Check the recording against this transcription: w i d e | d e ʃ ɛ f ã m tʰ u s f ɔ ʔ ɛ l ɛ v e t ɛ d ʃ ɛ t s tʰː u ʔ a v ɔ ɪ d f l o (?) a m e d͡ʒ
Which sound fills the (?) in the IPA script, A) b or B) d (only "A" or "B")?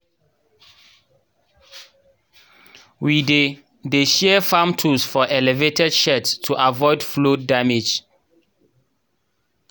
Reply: B